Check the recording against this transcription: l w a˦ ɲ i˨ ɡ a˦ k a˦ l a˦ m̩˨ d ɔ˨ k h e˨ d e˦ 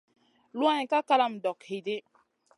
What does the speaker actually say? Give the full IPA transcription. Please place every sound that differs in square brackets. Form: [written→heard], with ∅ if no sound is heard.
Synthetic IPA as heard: l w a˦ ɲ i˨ [ɡ→k] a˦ k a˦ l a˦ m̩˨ d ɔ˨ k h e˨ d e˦